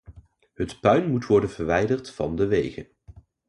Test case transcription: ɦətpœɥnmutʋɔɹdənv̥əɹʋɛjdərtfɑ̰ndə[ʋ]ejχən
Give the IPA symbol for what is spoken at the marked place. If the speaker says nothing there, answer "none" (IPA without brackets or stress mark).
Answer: ʋ